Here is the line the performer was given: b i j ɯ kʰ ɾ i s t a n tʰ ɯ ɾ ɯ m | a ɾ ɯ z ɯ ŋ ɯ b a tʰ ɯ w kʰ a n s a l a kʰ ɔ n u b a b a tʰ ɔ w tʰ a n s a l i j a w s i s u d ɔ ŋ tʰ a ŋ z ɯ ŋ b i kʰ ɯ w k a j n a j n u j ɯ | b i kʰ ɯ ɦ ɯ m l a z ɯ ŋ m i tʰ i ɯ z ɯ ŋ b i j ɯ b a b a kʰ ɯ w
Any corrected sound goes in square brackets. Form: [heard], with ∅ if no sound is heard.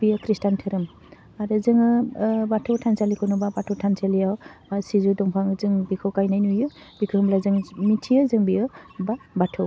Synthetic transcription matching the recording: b i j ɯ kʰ ɾ i s t a n tʰ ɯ ɾ ɯ m | a ɾ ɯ z ɯ ŋ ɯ b a tʰ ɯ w [tʰ] a n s a l [i] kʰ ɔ n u b a b a tʰ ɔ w tʰ a n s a l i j a w s i [z] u d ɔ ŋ [pʰ] a ŋ z ɯ ŋ b i kʰ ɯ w k a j n a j n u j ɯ | b i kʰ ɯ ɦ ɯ m l a z ɯ ŋ m i tʰ i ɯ z ɯ ŋ b i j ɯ b a b a [tʰ] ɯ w

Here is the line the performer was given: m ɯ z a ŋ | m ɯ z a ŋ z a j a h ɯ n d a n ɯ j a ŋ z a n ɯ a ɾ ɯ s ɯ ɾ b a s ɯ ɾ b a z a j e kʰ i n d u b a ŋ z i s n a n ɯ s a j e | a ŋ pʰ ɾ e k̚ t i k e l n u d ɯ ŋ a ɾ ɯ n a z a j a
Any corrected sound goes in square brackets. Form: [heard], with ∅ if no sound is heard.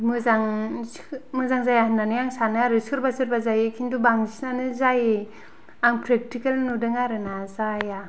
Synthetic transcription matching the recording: m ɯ z a ŋ | m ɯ z a ŋ z a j a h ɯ n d a n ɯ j a ŋ [s] a n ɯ a ɾ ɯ s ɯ ɾ b a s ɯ ɾ b a z a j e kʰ i n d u b a ŋ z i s n a n ɯ [z] a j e | a ŋ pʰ ɾ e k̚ t i k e l n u d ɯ ŋ a ɾ ɯ n a z a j a

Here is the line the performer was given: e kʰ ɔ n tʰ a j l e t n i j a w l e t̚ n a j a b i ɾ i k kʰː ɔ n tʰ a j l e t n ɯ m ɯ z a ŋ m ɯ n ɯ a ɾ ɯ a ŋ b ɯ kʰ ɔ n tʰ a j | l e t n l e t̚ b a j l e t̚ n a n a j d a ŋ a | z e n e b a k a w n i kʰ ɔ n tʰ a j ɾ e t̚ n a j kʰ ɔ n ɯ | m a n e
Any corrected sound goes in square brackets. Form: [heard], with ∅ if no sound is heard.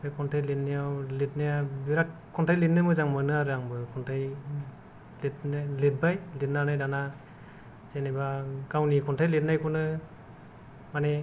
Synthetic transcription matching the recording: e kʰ ɔ n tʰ a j l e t n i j a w l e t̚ n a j a b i ɾ [a] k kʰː ɔ n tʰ a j l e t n ɯ m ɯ z a ŋ m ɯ n ɯ a ɾ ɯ a ŋ b ɯ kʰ ɔ n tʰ a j | l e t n l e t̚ b a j l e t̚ n a n a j d a [n] a | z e n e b a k a w n i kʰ ɔ n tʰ a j [l] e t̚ n a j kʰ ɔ n ɯ | m a n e

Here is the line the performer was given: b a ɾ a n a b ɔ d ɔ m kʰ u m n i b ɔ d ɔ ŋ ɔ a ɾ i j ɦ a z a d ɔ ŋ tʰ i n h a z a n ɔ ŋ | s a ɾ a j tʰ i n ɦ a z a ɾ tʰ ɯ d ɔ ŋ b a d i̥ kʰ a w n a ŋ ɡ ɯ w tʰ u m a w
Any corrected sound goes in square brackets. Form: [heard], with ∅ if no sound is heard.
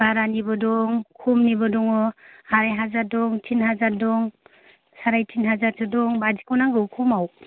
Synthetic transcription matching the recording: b a ɾ a n [i] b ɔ d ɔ [ŋ] kʰ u m n i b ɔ d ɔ ŋ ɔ a ɾ [a] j ɦ a z a d ɔ ŋ tʰ i n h a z a [d] ɔ ŋ | s a ɾ a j tʰ i n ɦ a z a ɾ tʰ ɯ d ɔ ŋ b a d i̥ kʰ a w n a ŋ ɡ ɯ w [kʰ] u m a w

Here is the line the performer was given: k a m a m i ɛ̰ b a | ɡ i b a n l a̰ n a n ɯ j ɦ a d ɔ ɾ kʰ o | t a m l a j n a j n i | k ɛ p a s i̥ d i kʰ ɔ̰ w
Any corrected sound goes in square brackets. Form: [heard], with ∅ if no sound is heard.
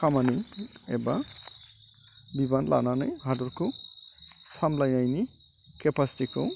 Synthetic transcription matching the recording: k a m a [n] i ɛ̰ b a | [b] i b a n l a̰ n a n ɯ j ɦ a d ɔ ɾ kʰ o | [s] a m l a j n a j n i | k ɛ p a s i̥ [t] i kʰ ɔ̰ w

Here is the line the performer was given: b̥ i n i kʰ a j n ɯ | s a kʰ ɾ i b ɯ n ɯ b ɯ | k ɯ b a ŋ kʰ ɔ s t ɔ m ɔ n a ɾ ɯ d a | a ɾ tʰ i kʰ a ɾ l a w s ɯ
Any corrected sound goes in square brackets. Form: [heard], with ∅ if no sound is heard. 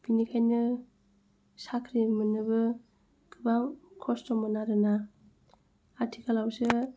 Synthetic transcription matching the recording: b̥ i n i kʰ a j n ɯ | s a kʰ ɾ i [m] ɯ n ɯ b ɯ | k ɯ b a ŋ kʰ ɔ s t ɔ m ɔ n a ɾ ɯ [n] a | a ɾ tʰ i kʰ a [∅] l a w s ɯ

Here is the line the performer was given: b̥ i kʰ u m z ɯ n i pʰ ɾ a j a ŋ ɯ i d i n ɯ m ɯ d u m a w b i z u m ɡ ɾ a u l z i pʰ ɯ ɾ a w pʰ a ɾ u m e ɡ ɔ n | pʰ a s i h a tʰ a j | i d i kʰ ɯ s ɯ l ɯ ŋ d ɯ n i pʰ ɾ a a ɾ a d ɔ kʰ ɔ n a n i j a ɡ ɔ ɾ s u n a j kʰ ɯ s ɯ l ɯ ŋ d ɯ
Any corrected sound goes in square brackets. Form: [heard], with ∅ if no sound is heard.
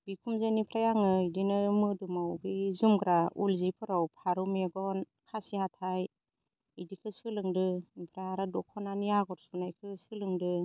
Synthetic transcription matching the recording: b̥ i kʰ u m z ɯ n i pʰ ɾ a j a ŋ ɯ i d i n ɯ m ɯ d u m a w b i z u m ɡ ɾ a u l z i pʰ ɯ ɾ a w pʰ a ɾ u m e ɡ ɔ n | [kʰ] a s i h a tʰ a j | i d i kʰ ɯ s ɯ l ɯ ŋ d ɯ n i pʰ ɾ a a ɾ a d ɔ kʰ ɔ n a n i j a ɡ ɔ ɾ s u n a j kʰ ɯ s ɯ l ɯ ŋ d ɯ

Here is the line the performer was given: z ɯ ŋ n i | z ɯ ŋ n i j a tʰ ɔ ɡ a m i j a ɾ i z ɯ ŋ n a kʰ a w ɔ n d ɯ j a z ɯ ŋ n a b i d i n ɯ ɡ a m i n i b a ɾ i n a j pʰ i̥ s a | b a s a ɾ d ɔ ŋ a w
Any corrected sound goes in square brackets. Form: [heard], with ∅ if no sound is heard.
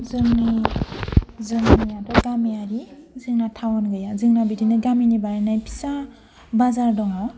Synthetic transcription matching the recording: z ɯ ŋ n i | z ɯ ŋ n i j a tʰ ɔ ɡ a m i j a ɾ i z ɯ ŋ n a [tʰ] a w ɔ n [ɡ] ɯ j a z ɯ ŋ n a b i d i n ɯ ɡ a m i n i b a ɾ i n a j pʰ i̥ s a | b a [z] a ɾ d ɔ ŋ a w

